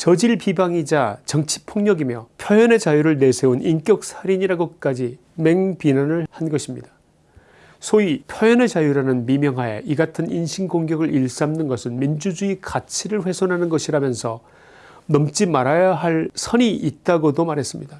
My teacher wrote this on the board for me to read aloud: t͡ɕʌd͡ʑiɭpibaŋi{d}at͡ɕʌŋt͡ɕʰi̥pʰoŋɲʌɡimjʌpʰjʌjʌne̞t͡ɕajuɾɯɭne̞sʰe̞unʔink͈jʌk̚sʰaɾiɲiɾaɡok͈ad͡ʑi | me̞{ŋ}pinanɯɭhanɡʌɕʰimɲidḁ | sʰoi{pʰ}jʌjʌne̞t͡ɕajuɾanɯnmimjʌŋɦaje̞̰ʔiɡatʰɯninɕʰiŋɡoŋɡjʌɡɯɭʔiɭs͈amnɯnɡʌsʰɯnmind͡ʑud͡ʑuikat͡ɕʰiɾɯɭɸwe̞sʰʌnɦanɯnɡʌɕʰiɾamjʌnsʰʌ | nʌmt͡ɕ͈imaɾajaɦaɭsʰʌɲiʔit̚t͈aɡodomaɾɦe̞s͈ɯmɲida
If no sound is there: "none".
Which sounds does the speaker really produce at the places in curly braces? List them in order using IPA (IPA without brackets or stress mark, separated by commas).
d͡ʑ, ŋ, pʰ